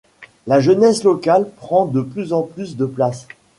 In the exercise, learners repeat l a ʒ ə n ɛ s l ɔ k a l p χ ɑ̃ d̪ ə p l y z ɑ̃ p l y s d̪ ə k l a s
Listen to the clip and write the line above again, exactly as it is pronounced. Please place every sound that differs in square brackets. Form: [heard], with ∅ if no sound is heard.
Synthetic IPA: l a ʒ ə n ɛ s l ɔ k a l p χ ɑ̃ d̪ ə p l y z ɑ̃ p l y s d̪ ə [p] l a s